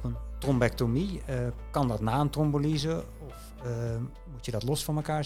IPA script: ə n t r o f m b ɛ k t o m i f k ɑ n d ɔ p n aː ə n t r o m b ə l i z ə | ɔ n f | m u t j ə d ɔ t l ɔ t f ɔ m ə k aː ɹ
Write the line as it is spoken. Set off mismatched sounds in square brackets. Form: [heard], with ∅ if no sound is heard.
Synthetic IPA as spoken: ə n t r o [∅] m b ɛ k t o m i [∅] k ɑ n d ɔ [t] n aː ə n t r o m b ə l i z ə | ɔ [∅] f | m u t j ə d ɔ t l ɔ [s] f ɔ m ə k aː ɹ